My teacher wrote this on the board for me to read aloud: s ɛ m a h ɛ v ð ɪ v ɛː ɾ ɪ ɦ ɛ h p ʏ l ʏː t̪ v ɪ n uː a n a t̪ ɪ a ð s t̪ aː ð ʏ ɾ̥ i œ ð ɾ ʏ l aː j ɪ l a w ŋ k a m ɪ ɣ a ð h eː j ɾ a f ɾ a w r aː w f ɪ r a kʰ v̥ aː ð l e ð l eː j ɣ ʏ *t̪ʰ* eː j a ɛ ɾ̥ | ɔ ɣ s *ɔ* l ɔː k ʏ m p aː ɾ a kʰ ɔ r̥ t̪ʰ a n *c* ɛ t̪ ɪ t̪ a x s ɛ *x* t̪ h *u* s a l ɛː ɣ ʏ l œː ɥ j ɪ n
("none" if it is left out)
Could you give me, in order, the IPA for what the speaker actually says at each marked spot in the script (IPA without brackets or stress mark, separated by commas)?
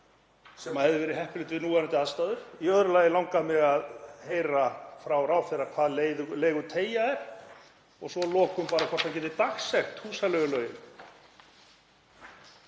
t̪ʰ, ɔ, c, x, uː